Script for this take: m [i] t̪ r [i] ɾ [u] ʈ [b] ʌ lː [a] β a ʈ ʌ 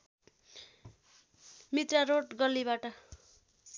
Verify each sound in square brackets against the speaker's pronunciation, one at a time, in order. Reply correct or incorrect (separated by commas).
correct, incorrect, incorrect, incorrect, incorrect